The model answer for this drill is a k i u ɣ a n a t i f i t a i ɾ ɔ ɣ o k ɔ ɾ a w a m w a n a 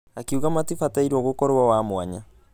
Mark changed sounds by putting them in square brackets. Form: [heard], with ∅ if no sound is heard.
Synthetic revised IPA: a k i u ɣ a [m] a t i f [a] t a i ɾ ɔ ɣ o k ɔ ɾ a w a m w a [ɲ] a